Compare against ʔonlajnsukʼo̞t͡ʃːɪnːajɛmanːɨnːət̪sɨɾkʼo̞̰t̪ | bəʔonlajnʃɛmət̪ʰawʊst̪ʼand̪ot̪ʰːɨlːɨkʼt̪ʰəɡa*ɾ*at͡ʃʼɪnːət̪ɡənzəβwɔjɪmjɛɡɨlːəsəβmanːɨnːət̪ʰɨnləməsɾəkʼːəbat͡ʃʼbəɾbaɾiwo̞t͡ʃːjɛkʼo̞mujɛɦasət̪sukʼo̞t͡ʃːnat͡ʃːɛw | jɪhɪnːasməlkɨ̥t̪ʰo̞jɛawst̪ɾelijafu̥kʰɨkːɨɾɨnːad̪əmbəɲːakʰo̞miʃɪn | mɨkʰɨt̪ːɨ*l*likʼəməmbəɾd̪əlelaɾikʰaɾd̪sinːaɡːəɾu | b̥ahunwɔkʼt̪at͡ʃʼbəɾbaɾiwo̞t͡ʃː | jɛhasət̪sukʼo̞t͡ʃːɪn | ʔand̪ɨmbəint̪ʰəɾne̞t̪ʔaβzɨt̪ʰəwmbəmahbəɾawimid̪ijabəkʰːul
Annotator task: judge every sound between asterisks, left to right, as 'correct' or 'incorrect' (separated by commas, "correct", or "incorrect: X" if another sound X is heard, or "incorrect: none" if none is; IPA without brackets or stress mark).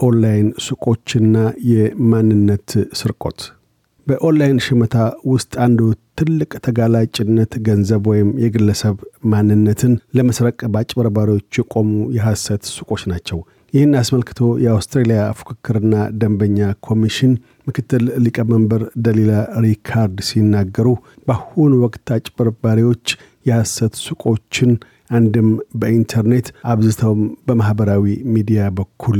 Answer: incorrect: l, correct